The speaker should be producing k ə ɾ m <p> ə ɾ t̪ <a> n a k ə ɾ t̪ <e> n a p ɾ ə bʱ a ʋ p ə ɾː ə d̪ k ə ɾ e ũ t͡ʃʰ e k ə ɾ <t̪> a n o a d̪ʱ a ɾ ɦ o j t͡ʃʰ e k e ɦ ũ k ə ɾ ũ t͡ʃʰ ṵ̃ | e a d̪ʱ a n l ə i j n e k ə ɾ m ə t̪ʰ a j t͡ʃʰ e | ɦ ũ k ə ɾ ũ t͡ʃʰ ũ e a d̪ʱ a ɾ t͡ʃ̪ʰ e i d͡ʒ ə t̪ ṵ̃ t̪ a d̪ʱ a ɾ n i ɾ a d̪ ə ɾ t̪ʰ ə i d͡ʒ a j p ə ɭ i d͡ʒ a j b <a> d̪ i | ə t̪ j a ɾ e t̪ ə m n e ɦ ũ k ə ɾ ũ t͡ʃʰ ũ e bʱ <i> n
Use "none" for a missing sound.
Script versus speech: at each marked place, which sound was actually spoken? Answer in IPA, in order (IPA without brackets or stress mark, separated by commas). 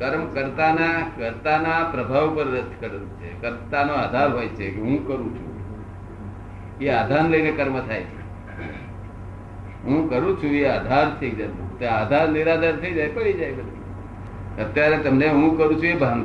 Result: k, a, a, t̪, ə, a